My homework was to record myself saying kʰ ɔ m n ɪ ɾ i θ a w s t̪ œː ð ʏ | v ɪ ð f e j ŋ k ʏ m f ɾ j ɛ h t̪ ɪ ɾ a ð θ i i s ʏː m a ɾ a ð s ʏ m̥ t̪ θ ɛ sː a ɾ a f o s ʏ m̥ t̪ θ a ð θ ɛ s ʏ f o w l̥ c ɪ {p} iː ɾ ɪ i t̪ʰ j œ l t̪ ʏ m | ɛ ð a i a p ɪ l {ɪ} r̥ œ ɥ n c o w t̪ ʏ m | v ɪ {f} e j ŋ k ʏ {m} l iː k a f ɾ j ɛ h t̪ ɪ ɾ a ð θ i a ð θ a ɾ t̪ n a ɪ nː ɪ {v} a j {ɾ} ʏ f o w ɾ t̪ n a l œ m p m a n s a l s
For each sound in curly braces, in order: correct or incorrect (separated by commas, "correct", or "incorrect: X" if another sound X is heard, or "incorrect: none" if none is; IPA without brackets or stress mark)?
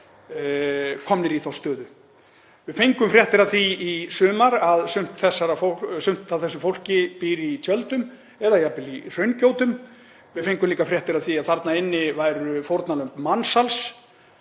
correct, incorrect: i, correct, correct, correct, correct